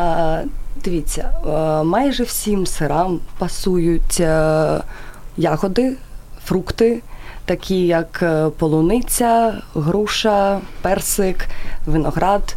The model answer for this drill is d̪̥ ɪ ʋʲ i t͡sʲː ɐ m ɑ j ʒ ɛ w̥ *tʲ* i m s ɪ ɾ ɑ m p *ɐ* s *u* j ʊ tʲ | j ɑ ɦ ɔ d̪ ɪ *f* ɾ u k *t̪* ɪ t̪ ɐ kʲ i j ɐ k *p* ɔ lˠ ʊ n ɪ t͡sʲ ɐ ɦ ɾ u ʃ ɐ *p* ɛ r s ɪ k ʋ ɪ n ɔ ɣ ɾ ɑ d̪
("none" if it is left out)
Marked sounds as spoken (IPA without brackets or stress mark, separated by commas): sʲ, ɐ, u, f, t̪, p, p